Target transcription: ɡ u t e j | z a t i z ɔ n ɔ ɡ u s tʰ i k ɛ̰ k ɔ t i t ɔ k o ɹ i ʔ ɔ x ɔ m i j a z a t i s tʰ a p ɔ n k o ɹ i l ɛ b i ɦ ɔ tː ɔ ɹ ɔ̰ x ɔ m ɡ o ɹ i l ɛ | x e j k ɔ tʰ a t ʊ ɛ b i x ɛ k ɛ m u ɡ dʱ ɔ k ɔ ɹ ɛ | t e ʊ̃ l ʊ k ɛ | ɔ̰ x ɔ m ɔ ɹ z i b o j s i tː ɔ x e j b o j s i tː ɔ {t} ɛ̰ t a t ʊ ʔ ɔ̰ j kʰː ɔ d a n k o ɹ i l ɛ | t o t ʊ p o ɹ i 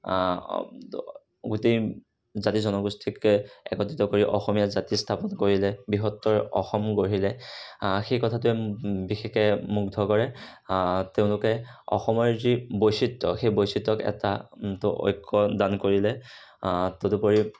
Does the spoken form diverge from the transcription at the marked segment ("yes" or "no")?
yes